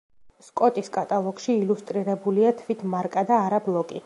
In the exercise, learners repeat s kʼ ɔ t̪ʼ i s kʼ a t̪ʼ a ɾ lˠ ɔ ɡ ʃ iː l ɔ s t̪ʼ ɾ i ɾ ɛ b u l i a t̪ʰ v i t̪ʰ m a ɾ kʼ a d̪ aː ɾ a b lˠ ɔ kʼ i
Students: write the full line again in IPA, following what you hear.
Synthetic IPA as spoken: s kʼ ɔ t̪ʼ i s kʼ a t̪ʼ a lˠ ɔ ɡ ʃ iː l u s t̪ʼ ɾ i ɾ ɛ b u l i a t̪ʰ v i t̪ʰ m a ɾ kʼ a d̪ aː ɾ a b lˠ ɔ kʼ i